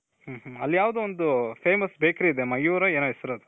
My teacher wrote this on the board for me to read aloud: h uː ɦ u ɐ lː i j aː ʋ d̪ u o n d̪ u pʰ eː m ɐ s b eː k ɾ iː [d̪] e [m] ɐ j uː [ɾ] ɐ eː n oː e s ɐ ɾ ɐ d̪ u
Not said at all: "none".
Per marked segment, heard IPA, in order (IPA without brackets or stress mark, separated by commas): d̪, m, ɾ